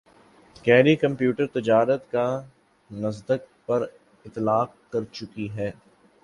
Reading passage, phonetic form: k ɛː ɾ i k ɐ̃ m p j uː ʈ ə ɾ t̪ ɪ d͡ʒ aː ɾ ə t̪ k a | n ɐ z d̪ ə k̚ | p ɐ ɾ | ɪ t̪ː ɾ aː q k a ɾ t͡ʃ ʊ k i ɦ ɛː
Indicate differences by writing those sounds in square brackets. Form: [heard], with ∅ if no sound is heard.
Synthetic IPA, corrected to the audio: k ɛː ɾ i k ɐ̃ m p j uː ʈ ə ɾ t̪ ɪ d͡ʒ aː ɾ ə t̪ k a | n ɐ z d̪ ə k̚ | p ɐ ɾ | ɪ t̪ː [l] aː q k [ɐ] ɾ t͡ʃ ʊ k i ɦ ɛː